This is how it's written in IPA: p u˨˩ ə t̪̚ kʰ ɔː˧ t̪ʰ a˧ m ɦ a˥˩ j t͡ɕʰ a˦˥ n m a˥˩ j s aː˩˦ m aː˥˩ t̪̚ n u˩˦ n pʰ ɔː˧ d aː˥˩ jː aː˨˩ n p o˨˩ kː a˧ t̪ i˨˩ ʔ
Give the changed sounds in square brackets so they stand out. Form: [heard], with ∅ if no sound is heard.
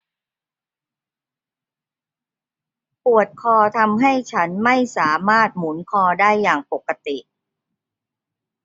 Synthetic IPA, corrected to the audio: p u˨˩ ə t̪̚ kʰ ɔː˧ t̪ʰ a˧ m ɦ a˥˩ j t͡ɕʰ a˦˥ n m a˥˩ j s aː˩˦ m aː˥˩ t̪̚ [m] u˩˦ n [kʰ] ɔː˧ d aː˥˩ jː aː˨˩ [ŋ] p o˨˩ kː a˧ t̪ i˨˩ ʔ